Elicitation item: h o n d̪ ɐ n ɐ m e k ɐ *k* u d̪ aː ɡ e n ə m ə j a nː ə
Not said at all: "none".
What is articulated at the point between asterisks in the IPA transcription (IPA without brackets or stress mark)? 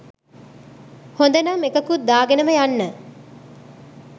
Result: k